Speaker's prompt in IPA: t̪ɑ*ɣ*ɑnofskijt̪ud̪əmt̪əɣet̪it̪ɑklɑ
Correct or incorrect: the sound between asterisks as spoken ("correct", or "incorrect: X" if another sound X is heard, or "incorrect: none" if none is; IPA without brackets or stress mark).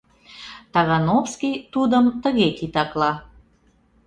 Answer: correct